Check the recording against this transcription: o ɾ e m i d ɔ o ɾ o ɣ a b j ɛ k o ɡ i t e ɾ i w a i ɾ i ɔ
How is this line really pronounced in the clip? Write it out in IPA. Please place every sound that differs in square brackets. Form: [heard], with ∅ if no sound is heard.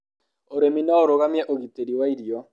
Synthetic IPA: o ɾ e m i [n] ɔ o ɾ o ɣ a [m] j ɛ [ʔ] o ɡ i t e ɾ i w a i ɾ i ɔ